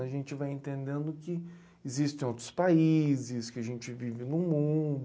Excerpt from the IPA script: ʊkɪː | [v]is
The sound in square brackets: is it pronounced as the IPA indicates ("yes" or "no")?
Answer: no